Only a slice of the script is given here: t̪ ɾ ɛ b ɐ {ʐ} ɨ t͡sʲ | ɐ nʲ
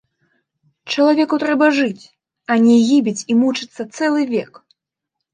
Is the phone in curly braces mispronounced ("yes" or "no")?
no